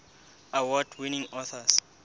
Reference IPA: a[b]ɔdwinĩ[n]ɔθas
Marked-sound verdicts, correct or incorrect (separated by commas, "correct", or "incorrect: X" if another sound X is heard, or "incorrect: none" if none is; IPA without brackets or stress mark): incorrect: w, incorrect: ŋ